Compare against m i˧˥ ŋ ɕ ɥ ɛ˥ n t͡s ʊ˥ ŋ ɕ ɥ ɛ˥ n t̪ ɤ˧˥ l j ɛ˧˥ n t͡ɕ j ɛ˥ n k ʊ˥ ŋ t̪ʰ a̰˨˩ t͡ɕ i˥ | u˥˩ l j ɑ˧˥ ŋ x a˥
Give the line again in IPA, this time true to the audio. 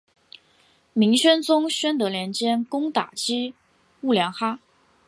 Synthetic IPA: m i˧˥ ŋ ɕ ɥ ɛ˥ n t͡s ʊ˥ ŋ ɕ ɥ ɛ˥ n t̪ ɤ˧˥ l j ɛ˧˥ n t͡ɕ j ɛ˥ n k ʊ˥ ŋ t̪ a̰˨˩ t͡ɕ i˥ | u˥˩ l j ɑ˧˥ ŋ x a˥